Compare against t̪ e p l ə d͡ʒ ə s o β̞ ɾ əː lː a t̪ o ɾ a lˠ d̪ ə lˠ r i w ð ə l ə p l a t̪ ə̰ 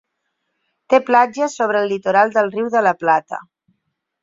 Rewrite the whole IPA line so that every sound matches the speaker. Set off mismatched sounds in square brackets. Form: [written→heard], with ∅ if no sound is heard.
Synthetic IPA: t̪ e p l [ə→a] d͡ʒ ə s o β̞ ɾ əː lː [a→i] t̪ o ɾ a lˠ d̪ ə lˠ r i w ð ə l ə p l a t̪ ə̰